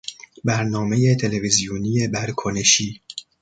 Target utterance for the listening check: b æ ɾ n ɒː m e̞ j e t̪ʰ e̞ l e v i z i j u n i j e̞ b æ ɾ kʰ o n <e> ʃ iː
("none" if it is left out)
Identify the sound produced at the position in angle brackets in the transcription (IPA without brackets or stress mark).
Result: e